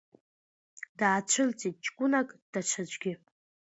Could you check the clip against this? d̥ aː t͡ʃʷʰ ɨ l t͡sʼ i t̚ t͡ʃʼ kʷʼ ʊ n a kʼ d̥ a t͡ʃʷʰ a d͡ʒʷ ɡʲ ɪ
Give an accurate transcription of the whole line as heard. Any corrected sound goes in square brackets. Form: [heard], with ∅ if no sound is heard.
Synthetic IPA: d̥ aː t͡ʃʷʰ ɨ l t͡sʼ i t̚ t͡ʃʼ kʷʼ ʊ n a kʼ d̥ a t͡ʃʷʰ a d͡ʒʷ ɡʲ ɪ